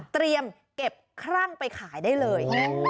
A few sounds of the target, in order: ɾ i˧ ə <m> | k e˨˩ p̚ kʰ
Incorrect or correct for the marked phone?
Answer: correct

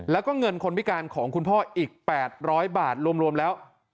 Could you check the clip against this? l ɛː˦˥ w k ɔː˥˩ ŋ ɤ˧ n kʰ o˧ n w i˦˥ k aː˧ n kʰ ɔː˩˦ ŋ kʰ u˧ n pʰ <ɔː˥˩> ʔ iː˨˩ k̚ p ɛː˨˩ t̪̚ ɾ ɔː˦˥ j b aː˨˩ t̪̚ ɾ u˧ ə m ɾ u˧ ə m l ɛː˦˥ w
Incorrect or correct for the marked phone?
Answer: correct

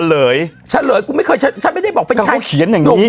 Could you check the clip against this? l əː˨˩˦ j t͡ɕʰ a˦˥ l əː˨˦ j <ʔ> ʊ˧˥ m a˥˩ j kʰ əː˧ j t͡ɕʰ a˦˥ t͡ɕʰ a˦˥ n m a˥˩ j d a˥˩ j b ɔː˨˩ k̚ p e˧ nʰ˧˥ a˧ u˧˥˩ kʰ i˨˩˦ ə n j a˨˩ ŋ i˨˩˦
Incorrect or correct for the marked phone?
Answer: incorrect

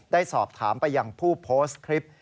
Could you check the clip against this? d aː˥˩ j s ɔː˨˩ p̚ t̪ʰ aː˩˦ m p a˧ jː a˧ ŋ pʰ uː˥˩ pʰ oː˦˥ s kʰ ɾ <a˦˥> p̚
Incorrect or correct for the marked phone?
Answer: incorrect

